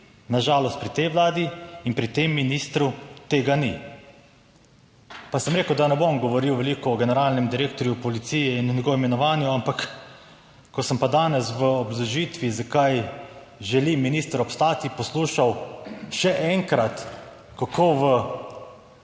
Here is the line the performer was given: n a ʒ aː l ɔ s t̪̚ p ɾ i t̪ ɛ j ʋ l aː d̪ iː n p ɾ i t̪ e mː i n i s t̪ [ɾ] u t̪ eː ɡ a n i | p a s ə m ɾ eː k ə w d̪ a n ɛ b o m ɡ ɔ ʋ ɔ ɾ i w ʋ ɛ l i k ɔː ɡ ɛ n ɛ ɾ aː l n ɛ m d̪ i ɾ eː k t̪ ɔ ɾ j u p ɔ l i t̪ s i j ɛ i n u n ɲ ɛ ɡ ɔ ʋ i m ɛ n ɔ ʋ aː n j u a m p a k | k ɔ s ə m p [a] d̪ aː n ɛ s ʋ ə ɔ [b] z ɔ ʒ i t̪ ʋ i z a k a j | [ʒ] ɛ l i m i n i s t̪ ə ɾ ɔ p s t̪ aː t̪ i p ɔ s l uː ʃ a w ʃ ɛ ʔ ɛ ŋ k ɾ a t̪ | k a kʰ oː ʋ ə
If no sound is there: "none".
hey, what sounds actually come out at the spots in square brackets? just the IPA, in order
ɾ, a, b, ʒ

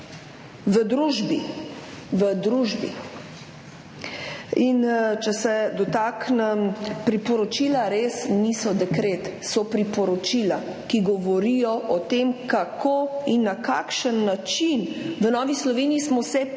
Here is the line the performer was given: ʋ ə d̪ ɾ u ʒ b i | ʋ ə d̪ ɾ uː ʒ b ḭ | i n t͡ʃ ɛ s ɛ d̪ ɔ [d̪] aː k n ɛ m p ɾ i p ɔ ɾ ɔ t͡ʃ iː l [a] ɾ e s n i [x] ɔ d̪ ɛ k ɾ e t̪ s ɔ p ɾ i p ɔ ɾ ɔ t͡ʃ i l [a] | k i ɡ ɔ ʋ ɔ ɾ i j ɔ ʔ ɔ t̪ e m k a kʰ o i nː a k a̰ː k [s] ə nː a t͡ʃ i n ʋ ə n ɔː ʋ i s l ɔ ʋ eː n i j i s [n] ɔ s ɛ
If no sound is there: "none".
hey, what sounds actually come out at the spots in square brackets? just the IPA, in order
t̪, a, s, a, ʃ, m

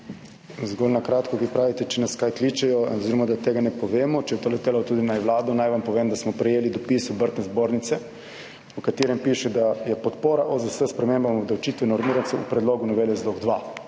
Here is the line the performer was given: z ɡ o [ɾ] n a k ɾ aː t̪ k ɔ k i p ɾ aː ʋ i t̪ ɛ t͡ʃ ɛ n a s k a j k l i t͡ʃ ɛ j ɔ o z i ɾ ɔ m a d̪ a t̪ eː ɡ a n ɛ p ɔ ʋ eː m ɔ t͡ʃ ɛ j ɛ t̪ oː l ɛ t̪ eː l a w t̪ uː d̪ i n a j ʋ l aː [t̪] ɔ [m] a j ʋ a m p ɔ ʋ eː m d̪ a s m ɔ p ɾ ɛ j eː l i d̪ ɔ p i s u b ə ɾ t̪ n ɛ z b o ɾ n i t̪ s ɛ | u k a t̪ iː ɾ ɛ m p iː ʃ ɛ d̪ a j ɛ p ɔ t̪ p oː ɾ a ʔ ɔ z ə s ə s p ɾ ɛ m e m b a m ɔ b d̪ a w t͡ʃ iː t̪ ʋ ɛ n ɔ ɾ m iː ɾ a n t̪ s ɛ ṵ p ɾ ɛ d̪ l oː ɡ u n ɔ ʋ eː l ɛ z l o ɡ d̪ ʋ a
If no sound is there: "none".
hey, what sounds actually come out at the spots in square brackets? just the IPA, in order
l, d̪, n

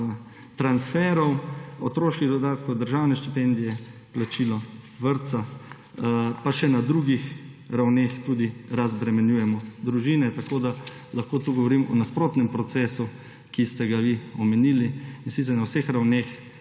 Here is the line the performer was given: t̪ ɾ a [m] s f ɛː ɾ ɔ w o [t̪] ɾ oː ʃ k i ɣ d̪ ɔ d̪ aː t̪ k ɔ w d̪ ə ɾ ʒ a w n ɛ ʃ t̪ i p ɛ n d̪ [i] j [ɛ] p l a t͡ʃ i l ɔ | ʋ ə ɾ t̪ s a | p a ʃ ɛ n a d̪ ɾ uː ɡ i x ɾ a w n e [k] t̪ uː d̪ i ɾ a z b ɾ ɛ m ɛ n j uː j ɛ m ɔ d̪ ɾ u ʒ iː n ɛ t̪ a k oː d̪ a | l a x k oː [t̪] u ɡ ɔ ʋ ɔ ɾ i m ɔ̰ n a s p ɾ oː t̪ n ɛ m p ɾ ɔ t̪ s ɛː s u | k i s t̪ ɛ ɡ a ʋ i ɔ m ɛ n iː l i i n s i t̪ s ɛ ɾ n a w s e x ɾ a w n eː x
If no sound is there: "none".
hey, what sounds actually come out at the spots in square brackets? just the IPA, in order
n, t̪, i, ɛ, x, t̪

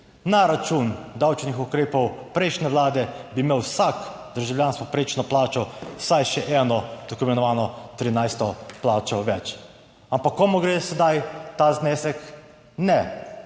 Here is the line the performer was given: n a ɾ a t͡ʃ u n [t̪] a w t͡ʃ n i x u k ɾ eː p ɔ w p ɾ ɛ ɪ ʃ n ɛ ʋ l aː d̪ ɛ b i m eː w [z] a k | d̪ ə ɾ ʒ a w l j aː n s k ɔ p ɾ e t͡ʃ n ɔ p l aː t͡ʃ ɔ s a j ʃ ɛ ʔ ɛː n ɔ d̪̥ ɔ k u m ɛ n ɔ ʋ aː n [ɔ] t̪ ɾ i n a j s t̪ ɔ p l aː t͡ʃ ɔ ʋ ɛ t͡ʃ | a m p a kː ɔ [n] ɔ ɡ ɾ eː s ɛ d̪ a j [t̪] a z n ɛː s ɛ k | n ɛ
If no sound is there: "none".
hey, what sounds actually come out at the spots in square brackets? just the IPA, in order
d̪, s, ɔ, m, t̪

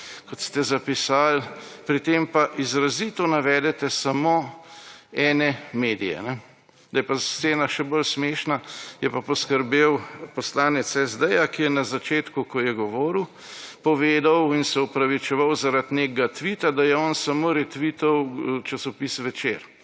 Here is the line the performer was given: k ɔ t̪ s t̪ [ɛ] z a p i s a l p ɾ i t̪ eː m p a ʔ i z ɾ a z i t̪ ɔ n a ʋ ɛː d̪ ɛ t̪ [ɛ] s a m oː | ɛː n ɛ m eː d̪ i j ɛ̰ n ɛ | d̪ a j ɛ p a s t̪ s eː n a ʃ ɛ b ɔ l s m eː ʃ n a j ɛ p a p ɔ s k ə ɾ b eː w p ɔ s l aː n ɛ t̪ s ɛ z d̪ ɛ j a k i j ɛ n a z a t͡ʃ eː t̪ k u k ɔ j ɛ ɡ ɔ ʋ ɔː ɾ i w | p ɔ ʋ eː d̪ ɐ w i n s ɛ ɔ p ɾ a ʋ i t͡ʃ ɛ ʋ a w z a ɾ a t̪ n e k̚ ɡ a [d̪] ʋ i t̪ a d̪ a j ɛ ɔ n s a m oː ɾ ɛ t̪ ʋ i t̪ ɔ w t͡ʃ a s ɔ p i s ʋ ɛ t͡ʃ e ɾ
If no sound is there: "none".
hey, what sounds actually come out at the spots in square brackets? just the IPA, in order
ɛ, ɛ, t̪

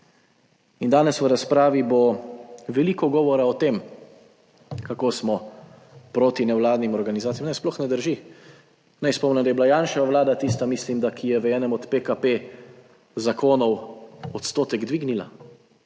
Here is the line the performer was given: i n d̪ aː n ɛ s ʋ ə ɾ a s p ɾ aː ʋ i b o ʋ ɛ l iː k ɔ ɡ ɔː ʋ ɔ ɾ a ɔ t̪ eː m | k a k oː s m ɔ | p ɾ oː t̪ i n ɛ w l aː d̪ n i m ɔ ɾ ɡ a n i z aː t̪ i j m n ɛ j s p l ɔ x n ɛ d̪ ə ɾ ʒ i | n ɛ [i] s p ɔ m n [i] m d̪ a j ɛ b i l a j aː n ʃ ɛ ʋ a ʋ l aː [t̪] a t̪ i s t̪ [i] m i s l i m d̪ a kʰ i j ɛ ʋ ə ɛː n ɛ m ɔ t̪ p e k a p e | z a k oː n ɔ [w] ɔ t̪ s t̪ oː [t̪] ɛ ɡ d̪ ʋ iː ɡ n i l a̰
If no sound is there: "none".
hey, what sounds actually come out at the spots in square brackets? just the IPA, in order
j, ɛ, d̪, a, w, t̪

